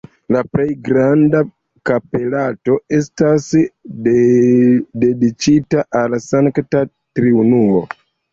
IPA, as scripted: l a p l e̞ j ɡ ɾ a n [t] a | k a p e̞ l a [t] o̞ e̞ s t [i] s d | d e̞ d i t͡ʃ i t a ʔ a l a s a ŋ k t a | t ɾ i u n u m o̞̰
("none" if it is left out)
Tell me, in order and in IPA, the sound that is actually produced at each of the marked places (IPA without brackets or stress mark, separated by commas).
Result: d, t, a